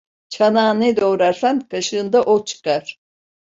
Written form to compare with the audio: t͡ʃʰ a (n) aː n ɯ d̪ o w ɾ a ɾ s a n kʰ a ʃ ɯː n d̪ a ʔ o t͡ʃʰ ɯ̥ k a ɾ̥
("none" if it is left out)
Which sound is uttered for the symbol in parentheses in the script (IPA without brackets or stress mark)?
n